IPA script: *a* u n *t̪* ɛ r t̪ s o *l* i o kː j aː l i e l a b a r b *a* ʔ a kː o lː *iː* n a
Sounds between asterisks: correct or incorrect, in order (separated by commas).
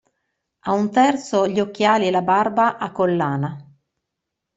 correct, correct, incorrect, correct, incorrect